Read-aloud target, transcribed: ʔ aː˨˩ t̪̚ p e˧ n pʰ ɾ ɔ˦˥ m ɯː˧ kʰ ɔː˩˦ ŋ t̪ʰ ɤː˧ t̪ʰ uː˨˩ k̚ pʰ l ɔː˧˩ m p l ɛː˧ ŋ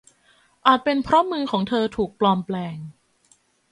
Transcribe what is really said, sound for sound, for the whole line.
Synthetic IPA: ʔ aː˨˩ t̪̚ p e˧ n pʰ ɾ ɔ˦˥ m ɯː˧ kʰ ɔː˩˦ ŋ t̪ʰ ɤː˧ t̪ʰ uː˨˩ k̚ p l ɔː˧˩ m p l ɛː˧ ŋ